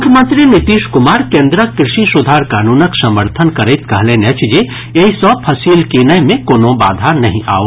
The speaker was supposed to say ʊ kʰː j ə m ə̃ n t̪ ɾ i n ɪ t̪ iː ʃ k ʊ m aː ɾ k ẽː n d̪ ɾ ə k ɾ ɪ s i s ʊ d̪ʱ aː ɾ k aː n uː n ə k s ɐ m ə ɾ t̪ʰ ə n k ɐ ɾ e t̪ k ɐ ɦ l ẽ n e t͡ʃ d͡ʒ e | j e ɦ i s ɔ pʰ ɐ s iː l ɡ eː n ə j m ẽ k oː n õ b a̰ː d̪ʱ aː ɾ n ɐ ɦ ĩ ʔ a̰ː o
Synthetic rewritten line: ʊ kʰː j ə m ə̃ n t̪ ɾ i n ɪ t̪ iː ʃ k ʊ m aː ɾ k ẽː n d̪ ɾ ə k ɾ ɪ ʃ i s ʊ d̪ʱ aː ɾ k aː n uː n ə k s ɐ m ə ɾ t̪ʰ ə n k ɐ ɾ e t̪ k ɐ ɦ l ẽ n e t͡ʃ d͡ʒ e | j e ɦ i s ɔ pʰ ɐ s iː l k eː n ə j m ẽ k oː n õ b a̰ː d̪ʱ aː ɾ n ɐ ɦ ĩ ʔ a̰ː o